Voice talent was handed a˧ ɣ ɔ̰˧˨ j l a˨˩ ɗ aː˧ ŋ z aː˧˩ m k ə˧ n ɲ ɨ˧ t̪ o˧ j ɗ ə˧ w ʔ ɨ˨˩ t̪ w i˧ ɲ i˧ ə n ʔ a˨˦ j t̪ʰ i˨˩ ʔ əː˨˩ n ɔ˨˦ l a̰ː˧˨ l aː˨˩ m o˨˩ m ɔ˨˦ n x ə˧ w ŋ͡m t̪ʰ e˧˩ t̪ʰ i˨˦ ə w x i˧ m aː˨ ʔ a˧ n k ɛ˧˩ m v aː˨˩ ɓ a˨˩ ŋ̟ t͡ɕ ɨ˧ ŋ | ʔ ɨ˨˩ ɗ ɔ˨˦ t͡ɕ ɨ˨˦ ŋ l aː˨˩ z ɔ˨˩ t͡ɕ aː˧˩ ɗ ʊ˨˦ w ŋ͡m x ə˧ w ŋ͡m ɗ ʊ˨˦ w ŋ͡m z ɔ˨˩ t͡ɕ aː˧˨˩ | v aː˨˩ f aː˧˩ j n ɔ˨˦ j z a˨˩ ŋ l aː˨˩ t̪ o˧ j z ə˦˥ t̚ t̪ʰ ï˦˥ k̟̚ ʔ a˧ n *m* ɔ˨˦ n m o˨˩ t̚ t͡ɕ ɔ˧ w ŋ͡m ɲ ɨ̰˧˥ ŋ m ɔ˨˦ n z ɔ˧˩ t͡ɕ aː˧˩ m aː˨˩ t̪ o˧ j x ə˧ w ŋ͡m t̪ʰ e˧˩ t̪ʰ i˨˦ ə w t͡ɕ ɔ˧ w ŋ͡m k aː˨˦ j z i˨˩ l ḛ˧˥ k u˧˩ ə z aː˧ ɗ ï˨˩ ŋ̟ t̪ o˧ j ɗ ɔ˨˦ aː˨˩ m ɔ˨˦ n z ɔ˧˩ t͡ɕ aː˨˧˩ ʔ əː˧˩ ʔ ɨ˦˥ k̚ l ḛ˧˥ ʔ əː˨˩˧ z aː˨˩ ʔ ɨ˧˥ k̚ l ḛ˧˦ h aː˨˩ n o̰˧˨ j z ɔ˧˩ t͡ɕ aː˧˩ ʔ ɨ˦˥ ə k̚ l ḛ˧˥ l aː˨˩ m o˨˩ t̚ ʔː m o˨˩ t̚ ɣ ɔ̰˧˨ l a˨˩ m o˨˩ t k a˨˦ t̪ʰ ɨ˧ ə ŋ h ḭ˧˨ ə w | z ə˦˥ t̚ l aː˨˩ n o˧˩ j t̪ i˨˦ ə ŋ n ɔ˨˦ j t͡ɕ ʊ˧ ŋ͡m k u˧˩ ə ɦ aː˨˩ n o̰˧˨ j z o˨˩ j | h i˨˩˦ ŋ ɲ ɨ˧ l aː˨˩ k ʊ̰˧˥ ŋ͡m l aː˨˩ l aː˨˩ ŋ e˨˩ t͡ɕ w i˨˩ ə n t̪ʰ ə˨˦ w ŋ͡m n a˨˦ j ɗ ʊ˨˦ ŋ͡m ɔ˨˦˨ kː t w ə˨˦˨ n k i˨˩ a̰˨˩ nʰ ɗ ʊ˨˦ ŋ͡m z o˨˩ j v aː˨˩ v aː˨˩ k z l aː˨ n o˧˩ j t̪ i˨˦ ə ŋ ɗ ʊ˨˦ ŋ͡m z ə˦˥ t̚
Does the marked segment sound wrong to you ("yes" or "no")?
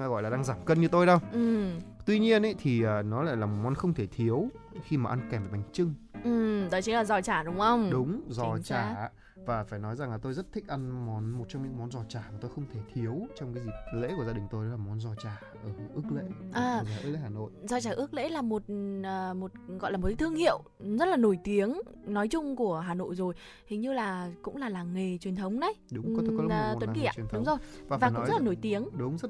no